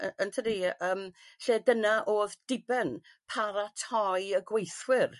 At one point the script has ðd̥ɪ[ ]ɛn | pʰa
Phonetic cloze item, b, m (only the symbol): b